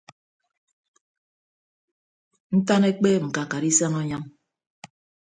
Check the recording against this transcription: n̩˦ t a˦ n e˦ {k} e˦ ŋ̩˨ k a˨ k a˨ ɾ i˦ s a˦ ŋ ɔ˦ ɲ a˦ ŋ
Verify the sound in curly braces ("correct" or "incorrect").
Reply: incorrect